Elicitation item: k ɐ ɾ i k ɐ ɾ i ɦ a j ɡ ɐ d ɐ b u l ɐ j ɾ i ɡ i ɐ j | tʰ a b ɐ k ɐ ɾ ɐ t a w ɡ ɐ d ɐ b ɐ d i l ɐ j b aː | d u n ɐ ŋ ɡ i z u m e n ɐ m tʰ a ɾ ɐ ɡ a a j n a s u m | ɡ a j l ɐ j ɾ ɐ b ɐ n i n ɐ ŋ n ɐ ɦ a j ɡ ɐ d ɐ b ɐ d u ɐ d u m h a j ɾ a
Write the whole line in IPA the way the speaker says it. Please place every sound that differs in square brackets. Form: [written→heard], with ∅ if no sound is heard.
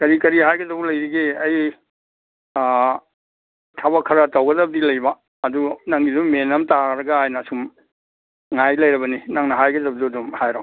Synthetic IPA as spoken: k ɐ ɾ i k ɐ ɾ i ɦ a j ɡ ɐ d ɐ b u l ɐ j ɾ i ɡ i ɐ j | tʰ a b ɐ [k→kʰ] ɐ ɾ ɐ t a w ɡ ɐ d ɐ b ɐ d i l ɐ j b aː | d u n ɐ ŋ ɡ i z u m e n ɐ m [tʰ→t] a ɾ ɐ ɡ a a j n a s u m | [ɡ→ŋ] a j l ɐ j ɾ ɐ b ɐ n i n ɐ ŋ n ɐ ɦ a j ɡ ɐ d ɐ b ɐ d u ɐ d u m h a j ɾ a